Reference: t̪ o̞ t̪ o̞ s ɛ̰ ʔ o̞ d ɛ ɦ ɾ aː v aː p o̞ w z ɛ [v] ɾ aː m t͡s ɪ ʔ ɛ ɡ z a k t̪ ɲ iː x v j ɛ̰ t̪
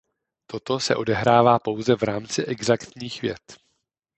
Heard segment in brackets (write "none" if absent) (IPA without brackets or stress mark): v